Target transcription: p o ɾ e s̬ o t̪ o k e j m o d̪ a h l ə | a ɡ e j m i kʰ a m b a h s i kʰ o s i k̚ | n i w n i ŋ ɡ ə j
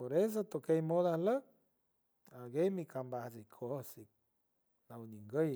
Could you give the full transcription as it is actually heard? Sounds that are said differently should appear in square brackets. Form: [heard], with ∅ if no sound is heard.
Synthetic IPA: p o ɾ e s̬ o t̪ o k e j m o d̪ a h l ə | a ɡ e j m i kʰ a m b a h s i kʰ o s i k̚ | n [a] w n i ŋ ɡ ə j